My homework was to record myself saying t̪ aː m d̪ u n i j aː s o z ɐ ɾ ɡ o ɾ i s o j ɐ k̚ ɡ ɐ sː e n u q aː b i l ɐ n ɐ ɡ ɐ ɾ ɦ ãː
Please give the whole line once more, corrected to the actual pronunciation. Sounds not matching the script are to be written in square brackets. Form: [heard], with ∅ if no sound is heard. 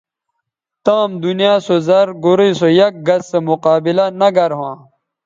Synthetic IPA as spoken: t̪ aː m d̪ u n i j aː s o z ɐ ɾ ɡ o ɾ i s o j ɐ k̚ ɡ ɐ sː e [m] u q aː b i l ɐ n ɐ ɡ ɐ ɾ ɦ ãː